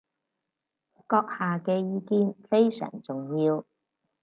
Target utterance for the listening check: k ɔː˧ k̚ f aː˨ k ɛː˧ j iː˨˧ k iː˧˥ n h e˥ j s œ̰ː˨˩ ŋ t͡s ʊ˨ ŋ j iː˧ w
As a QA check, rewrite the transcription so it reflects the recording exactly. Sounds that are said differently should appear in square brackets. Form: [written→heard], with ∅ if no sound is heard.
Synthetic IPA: k ɔː˧ k̚ [f→h] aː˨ k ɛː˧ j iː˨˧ k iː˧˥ n [h→f] e˥ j s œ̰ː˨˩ ŋ t͡s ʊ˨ ŋ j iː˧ w